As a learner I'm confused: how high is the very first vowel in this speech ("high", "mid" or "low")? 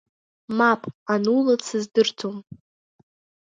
low